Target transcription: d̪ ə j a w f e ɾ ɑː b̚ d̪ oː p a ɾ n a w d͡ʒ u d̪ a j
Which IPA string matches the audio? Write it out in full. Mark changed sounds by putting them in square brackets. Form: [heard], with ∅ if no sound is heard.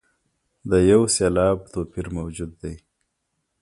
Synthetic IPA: d̪ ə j a w [s] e [l] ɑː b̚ [t̪] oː p [i] ɾ [m] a w d͡ʒ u [d̪ː] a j